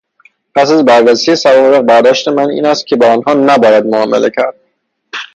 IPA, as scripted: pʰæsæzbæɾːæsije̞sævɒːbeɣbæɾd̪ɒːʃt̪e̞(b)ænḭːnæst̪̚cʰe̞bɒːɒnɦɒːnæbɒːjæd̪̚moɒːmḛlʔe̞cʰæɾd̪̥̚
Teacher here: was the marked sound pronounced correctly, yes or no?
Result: no